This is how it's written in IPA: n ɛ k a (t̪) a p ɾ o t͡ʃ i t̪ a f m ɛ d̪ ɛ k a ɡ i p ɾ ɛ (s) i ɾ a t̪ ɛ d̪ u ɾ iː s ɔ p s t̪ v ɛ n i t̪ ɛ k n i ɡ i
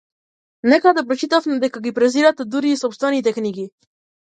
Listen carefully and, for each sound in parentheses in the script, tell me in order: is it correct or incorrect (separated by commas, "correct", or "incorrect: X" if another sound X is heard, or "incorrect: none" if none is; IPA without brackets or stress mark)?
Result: incorrect: d̪, incorrect: z